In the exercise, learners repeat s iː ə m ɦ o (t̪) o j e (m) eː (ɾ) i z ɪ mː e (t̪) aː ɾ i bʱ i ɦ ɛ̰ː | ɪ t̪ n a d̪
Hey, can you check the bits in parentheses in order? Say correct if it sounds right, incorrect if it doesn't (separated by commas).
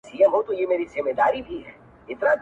correct, correct, correct, incorrect